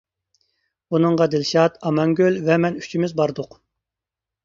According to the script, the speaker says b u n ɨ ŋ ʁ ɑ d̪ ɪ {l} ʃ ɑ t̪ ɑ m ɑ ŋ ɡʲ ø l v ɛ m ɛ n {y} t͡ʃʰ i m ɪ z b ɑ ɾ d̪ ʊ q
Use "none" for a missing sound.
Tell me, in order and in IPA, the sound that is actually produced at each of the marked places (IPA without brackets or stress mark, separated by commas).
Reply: l, y